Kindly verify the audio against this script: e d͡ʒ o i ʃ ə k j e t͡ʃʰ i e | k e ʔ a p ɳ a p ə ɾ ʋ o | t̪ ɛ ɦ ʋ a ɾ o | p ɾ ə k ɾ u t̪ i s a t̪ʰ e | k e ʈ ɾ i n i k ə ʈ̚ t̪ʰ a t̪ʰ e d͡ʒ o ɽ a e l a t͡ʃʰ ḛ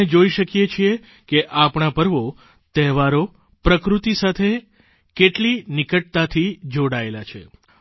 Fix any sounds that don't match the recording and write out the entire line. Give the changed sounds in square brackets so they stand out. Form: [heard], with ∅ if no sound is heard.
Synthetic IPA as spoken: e d͡ʒ o i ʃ ə k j e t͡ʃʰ i e | k e ʔ a p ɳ a p ə ɾ ʋ o | t̪ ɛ ɦ ʋ a ɾ o | p ɾ ə k ɾ u t̪ i s a t̪ʰ e | k e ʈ [l] i n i k ə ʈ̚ [t̪] a t̪ʰ [i] d͡ʒ o ɽ a e l a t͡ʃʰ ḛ